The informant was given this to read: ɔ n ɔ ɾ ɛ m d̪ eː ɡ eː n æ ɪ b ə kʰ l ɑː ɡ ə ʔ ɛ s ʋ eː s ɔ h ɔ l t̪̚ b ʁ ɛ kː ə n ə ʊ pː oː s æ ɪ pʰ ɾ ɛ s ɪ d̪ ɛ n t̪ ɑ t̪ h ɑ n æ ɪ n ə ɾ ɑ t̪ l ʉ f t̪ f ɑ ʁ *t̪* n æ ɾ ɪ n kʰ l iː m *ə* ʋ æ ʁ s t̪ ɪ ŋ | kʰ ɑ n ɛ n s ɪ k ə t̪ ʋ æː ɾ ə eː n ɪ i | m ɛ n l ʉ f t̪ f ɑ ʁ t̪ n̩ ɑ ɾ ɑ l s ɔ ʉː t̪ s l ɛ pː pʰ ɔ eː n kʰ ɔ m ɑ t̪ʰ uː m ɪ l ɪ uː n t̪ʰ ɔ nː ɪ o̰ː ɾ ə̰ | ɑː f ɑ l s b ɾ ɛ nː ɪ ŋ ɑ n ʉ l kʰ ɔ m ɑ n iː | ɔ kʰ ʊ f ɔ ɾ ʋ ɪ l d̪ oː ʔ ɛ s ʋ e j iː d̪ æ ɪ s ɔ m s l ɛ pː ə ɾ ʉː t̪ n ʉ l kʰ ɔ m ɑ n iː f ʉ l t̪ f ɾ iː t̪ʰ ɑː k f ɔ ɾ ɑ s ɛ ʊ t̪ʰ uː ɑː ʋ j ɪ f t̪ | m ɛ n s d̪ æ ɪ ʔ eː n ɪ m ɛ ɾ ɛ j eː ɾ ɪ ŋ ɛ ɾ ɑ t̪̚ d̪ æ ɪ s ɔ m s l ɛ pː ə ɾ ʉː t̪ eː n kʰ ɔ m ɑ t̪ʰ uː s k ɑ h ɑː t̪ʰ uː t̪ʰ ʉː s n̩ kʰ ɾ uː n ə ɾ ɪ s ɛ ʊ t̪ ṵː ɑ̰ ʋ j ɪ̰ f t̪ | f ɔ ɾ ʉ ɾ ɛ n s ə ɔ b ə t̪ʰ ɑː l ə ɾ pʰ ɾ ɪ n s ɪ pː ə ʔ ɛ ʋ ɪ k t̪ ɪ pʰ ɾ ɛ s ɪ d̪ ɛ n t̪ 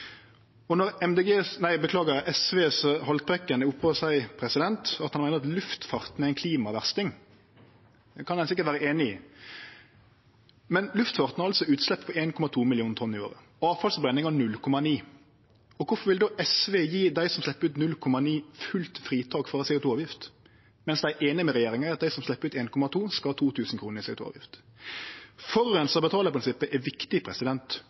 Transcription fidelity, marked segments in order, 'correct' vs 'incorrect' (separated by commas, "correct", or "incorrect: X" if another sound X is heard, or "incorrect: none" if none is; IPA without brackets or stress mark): correct, incorrect: ɑ